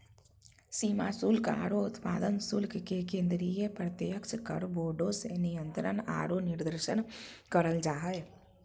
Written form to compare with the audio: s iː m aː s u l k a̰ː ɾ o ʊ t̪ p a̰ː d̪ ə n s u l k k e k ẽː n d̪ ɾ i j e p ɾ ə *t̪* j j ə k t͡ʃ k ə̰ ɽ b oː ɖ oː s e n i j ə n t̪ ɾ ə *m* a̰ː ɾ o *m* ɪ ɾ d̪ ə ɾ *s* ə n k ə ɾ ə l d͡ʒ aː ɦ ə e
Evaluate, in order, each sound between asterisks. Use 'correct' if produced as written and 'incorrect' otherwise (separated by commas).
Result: correct, incorrect, incorrect, incorrect